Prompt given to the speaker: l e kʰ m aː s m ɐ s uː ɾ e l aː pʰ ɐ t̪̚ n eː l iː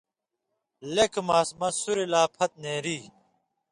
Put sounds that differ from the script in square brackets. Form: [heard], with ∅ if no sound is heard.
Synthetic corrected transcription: l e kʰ m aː s m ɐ s [u] ɾ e l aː pʰ ɐ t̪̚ n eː [ɾ] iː